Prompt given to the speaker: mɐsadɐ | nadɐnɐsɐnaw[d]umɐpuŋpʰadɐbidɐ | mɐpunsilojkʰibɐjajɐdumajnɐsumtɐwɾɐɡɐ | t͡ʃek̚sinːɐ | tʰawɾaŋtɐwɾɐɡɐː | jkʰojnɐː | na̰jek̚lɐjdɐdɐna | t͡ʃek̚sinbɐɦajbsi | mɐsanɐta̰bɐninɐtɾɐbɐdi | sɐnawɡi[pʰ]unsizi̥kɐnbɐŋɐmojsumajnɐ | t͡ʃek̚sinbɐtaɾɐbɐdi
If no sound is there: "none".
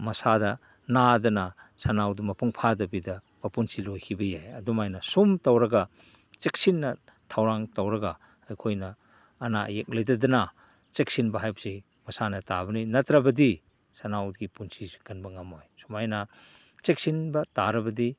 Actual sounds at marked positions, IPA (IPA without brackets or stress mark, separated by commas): d, p